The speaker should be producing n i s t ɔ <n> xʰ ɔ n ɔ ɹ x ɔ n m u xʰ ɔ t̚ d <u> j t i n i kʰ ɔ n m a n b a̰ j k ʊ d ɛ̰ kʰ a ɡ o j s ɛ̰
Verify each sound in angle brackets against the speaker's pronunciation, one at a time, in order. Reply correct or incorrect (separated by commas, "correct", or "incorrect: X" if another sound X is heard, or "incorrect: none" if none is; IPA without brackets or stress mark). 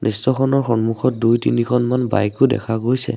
incorrect: none, correct